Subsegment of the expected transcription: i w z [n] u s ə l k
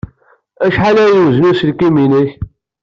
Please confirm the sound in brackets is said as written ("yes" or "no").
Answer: yes